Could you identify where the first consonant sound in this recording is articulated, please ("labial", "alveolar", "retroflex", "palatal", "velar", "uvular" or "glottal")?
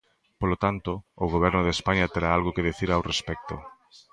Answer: labial